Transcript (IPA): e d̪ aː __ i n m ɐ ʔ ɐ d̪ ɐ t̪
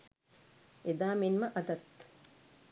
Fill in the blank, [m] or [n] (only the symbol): m